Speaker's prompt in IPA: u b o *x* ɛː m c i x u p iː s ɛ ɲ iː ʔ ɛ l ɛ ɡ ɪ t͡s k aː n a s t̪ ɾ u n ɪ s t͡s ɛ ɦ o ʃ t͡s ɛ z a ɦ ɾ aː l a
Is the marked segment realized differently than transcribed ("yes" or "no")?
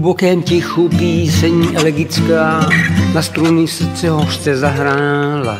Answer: yes